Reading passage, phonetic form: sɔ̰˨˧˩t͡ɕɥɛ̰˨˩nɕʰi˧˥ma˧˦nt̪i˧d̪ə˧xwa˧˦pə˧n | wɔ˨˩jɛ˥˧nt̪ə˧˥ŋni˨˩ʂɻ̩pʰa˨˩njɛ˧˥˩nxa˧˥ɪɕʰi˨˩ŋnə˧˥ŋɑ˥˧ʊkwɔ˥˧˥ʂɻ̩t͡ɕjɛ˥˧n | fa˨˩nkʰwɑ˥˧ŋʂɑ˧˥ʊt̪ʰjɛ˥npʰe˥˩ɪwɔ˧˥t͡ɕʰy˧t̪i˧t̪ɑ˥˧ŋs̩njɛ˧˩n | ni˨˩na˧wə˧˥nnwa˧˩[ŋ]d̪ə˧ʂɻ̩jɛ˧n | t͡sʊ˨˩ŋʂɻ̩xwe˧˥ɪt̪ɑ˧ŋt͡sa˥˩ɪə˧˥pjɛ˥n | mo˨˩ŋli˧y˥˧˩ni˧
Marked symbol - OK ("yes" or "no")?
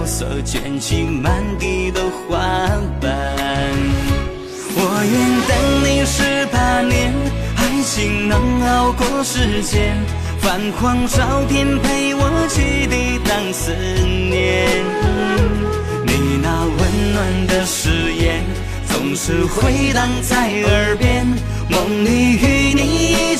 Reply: no